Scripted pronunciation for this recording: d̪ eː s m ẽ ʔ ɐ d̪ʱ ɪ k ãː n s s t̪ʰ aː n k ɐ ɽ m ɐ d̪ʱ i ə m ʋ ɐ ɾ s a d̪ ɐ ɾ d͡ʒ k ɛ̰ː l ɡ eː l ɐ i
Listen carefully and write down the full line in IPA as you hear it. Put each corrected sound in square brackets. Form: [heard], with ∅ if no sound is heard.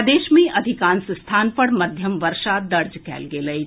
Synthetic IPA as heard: d̪ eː [ʃ] m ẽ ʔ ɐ d̪ʱ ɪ k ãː n s s t̪ʰ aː n [p] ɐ ɽ m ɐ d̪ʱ [j] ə m ʋ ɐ ɾ [ʃ] a d̪ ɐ ɾ d͡ʒ k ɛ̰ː l ɡ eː l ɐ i

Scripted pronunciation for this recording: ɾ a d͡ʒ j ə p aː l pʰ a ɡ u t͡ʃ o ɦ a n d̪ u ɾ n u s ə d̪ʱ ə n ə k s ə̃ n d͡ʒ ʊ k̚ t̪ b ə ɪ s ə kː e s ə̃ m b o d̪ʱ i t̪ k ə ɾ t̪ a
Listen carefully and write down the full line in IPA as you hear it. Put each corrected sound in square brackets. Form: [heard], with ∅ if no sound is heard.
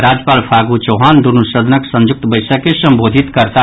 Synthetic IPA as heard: ɾ a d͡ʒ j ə p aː l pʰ a ɡ u t͡ʃ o ɦ a n d̪ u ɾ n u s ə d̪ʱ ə n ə k s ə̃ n d͡ʒ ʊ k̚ t̪ b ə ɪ s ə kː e s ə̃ m b o d̪ʱ i t̪ k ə ɾ t̪ a

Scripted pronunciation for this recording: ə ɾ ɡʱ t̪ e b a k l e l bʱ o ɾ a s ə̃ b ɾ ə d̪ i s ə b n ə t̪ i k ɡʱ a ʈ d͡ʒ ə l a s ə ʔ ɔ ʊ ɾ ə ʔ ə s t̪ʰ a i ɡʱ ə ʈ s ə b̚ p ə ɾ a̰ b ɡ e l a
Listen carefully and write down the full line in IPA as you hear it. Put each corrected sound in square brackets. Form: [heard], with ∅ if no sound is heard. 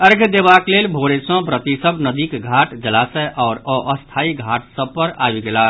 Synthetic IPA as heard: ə ɾ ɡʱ [d̪] e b a k l e l bʱ o ɾ [e] s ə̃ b ɾ ə [t̪] i s ə b n ə [d̪] i k ɡʱ a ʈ d͡ʒ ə l a s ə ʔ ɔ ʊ ɾ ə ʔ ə s t̪ʰ a i ɡʱ [a] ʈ s ə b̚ p ə ɾ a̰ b ɡ e l a

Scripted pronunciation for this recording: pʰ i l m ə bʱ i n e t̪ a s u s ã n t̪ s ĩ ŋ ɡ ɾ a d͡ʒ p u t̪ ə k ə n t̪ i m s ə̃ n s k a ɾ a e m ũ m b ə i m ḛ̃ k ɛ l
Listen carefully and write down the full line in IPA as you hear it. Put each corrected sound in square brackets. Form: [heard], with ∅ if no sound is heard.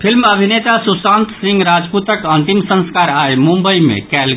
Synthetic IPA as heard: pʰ i l m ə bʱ i n e t̪ a s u s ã n t̪ s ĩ ŋ ɡ ɾ a d͡ʒ p u t̪ ə k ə n t̪ i m s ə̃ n s k a ɾ a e m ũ m b ə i m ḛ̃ k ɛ l

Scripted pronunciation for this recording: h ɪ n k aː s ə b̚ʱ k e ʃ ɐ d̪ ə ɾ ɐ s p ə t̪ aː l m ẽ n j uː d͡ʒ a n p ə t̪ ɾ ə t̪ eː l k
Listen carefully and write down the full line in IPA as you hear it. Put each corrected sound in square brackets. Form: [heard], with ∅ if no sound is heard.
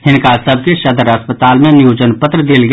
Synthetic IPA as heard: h ɪ n k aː s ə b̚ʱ k e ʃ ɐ d̪ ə ɾ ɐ s p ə t̪ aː l m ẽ n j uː d͡ʒ [ə] n p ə t̪ ɾ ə [d̪] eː l [ɡ]

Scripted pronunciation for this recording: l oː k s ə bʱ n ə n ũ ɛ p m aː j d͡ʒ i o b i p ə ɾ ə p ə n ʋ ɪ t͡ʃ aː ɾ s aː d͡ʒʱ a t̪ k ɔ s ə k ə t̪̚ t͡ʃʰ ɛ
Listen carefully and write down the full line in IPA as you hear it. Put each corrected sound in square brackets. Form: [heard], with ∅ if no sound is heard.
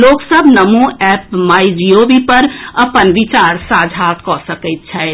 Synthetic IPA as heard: l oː k s ə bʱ n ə [m] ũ ɛ p m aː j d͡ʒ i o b i p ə ɾ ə p ə n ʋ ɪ t͡ʃ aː ɾ s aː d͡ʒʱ a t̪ k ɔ s ə k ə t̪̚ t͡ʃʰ ɛ

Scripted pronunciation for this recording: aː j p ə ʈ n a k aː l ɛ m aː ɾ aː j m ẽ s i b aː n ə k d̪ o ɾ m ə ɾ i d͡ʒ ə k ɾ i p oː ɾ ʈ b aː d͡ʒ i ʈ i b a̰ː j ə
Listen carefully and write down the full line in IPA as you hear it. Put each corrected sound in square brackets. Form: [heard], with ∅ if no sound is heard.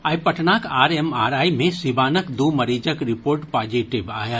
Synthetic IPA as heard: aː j p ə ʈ n a k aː [ɾ] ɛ m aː ɾ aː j m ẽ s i b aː n ə k d̪ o [∅] m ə ɾ i d͡ʒ ə k ɾ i p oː ɾ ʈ [p] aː d͡ʒ i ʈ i b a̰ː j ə

